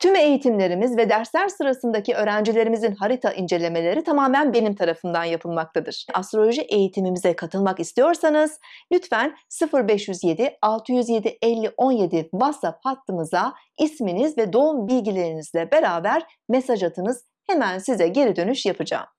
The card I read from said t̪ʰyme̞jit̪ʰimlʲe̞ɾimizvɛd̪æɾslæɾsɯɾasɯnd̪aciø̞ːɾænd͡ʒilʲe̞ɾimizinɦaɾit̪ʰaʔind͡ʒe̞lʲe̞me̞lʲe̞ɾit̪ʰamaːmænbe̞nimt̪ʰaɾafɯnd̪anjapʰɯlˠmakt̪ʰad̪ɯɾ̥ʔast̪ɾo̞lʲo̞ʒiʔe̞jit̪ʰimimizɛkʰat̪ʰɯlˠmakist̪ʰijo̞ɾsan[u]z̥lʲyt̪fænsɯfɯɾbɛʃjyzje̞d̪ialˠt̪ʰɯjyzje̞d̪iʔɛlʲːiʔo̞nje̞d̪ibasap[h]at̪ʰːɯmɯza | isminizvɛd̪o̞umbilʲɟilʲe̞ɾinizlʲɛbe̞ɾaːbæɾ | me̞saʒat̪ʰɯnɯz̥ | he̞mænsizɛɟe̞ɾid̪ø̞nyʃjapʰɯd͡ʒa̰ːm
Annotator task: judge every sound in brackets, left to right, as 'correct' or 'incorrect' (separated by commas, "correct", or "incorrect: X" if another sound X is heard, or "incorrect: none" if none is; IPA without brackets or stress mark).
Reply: incorrect: ɯ, correct